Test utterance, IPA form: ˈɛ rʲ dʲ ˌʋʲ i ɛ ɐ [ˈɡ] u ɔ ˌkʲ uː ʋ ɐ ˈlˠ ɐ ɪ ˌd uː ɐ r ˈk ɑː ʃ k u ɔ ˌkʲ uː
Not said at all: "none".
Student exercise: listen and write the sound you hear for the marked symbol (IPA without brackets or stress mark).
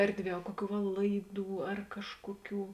k